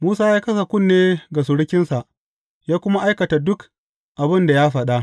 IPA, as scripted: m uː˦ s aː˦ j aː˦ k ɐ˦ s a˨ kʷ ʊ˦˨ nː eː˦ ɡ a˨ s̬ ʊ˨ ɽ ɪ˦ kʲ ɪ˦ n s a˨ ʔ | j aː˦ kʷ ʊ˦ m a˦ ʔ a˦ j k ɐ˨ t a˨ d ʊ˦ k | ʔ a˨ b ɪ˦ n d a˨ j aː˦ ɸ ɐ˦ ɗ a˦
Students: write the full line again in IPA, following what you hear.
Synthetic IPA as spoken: m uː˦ s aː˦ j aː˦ k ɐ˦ s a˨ kʷ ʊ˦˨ nː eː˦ ɡ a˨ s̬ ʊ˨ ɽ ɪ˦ kʲ ɪ˦ n s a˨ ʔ | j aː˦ kʷ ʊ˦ m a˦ ʔ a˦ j k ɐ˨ t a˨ d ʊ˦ k | ʔ a˨ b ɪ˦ n d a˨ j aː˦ ɸ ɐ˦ ɗ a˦